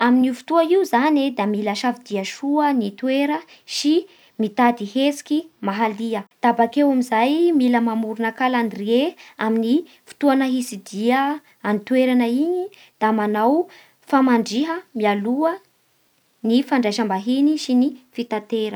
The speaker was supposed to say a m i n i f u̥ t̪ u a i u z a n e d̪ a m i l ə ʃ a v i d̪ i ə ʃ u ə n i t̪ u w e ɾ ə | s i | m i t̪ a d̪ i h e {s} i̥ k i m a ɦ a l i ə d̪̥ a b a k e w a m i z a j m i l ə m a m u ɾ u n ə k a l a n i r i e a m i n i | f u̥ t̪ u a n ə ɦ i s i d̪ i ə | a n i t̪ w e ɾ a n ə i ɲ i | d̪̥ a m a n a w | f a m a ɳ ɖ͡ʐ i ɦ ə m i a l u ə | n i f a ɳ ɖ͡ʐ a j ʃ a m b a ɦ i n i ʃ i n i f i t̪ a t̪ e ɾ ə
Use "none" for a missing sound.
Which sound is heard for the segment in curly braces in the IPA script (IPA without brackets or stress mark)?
s